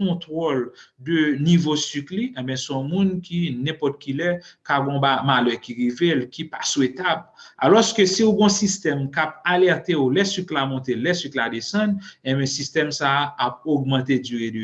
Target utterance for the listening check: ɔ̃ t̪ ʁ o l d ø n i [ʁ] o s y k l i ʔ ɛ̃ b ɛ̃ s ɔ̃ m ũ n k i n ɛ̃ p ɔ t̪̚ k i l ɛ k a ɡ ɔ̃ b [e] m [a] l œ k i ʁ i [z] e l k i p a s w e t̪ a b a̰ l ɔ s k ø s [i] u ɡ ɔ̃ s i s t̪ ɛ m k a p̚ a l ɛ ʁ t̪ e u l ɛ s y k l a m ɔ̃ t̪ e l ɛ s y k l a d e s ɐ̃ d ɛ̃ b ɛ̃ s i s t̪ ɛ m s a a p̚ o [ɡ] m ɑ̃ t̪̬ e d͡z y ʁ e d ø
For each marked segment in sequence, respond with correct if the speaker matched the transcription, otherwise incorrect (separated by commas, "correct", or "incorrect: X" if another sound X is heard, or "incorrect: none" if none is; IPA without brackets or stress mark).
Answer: incorrect: v, incorrect: a, correct, incorrect: v, correct, correct